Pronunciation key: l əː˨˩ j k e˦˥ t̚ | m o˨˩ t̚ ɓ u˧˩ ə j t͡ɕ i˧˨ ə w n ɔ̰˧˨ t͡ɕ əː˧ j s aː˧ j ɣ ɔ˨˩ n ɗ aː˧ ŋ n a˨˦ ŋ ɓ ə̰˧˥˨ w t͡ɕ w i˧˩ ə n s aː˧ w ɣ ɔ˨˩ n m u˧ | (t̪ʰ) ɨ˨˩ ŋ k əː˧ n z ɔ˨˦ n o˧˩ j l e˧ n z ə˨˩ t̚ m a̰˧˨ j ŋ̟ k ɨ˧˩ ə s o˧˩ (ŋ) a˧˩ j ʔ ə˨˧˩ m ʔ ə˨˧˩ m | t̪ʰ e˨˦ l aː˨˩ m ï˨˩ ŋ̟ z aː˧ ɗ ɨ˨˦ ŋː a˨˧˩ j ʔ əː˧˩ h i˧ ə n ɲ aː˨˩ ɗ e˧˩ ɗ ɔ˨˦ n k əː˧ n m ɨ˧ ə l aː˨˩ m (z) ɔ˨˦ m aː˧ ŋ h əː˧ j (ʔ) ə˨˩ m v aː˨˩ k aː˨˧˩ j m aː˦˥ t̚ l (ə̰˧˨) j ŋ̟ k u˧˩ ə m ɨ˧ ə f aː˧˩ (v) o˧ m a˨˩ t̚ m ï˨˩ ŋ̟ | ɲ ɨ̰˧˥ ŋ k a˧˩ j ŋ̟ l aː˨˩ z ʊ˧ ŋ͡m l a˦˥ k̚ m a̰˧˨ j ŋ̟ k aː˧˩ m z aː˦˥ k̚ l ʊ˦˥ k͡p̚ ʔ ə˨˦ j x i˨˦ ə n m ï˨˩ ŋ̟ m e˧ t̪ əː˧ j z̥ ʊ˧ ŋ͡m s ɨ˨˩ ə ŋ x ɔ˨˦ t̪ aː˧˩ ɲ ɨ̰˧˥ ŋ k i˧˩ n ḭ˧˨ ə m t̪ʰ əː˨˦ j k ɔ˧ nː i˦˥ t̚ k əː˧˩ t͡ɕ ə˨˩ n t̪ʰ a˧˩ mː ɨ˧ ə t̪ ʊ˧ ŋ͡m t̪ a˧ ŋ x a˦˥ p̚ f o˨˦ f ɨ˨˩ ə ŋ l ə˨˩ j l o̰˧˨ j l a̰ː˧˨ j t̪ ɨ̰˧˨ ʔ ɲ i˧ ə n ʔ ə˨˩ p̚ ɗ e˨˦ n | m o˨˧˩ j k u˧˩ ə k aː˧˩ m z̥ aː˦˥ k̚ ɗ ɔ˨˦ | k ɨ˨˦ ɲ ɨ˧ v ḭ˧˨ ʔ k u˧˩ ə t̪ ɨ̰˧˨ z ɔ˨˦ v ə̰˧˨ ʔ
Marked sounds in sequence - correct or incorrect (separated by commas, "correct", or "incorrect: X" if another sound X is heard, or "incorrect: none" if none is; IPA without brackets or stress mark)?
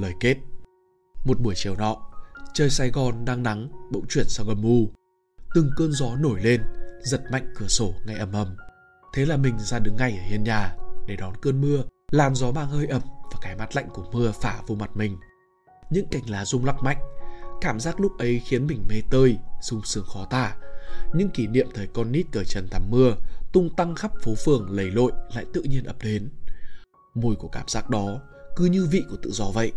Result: incorrect: t̪, correct, correct, correct, incorrect: a̰˧˨, correct